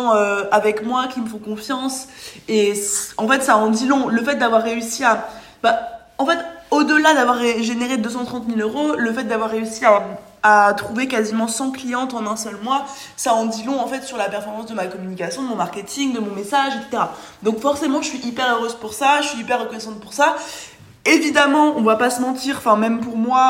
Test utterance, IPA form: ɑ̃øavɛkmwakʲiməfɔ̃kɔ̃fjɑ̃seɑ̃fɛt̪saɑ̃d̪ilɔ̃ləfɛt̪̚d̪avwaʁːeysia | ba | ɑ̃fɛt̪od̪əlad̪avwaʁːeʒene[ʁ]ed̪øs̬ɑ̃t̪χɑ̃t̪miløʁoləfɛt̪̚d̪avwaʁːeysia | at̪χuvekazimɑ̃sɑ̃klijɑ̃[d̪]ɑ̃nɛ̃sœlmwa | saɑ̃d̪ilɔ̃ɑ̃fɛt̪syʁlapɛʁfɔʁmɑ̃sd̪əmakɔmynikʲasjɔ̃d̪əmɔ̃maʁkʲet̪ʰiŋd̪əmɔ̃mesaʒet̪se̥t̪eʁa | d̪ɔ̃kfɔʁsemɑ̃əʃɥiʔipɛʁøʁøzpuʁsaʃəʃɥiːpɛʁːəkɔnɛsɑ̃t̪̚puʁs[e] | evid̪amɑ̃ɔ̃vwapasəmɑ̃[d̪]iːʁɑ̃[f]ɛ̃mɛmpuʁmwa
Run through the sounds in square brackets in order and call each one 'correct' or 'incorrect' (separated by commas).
correct, incorrect, incorrect, incorrect, correct